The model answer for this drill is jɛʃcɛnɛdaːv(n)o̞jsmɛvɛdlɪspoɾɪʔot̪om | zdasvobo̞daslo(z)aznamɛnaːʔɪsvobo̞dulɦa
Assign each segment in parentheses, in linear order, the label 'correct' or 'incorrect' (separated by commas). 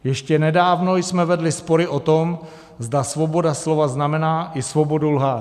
correct, incorrect